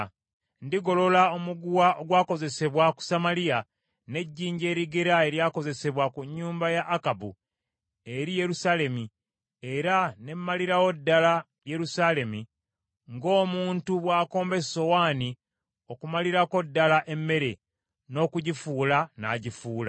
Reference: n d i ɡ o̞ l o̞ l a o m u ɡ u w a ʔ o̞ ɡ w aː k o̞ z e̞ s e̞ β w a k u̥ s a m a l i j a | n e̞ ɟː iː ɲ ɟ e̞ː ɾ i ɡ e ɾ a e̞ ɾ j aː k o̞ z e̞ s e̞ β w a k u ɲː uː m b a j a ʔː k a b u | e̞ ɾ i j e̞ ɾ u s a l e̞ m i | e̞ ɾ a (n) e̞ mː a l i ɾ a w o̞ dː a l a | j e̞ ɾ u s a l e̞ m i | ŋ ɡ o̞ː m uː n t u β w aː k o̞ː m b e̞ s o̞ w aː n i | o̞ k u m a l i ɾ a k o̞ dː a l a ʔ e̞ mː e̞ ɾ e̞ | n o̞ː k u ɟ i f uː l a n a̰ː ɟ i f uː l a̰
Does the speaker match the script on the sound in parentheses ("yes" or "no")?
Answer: yes